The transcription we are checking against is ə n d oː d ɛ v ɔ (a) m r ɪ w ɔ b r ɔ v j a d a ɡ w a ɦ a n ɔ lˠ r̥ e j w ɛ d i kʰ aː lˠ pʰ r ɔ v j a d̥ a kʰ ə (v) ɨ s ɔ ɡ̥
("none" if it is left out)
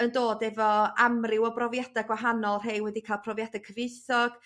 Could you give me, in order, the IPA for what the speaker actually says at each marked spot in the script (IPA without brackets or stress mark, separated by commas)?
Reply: a, v